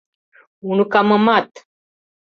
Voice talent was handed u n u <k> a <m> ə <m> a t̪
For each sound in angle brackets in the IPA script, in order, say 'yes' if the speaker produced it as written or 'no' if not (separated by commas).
yes, yes, yes